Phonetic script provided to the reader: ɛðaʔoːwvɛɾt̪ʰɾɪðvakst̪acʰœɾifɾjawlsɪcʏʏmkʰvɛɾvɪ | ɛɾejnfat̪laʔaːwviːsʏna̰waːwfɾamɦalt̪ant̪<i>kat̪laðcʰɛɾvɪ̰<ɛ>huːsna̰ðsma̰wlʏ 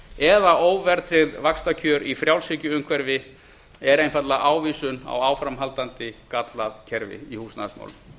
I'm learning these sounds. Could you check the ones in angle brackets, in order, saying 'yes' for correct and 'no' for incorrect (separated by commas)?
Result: no, no